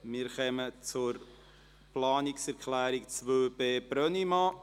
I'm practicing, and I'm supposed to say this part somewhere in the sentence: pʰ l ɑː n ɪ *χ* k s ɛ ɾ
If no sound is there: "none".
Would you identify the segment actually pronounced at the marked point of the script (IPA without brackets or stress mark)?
none